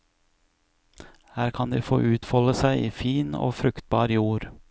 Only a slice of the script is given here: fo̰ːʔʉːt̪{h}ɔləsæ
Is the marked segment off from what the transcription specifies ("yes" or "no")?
yes